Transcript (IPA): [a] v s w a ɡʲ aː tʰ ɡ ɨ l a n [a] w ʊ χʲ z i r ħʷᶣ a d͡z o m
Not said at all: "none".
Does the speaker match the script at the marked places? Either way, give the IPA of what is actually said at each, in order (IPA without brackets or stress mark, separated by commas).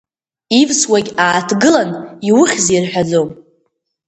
i, i